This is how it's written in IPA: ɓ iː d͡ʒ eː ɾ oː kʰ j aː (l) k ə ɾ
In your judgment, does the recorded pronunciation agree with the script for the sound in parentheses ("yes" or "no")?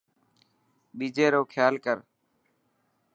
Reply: yes